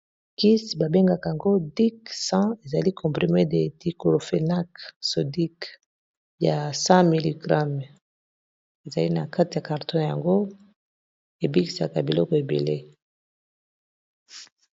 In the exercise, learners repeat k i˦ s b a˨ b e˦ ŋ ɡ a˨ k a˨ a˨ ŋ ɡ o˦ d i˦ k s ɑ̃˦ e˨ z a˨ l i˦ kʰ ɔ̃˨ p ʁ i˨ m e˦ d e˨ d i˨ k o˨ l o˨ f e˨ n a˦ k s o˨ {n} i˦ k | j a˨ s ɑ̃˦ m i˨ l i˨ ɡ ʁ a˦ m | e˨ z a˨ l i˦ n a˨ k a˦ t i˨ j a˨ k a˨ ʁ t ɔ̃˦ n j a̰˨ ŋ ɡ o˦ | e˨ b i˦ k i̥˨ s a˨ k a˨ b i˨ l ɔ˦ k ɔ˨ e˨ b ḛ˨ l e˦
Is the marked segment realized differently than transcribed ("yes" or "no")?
yes